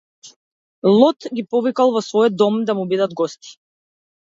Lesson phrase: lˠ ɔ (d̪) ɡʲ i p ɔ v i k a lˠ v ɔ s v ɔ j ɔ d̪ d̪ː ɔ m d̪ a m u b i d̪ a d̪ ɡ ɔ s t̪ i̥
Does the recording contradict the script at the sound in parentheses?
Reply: yes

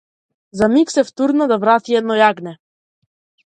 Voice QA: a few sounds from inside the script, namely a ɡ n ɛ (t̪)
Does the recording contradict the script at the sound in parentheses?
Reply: yes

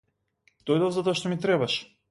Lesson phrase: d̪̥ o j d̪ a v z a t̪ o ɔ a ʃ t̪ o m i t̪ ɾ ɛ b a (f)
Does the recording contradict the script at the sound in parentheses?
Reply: yes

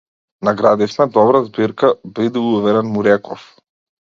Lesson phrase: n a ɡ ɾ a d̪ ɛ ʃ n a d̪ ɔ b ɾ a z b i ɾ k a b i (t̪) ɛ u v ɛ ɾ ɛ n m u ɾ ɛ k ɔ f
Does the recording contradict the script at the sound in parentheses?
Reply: yes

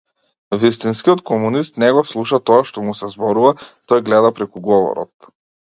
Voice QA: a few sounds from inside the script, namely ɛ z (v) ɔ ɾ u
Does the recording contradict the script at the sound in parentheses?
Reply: yes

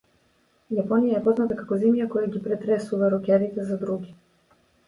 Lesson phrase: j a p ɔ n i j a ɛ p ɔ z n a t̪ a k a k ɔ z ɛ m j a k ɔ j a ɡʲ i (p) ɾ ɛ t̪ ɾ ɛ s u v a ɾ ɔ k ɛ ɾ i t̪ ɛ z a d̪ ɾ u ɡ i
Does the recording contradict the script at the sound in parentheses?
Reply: no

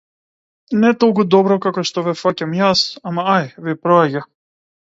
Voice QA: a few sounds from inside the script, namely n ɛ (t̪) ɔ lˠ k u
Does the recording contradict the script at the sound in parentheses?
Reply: no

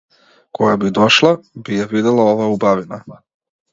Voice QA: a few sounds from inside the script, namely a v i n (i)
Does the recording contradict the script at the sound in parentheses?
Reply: yes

